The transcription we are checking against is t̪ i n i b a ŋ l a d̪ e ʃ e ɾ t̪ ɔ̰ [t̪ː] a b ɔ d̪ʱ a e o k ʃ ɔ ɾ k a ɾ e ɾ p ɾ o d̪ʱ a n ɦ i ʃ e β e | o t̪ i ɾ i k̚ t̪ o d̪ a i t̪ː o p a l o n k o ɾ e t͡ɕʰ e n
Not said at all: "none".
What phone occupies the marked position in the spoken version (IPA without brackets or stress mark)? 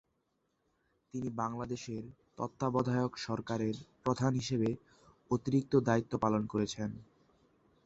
t̪ː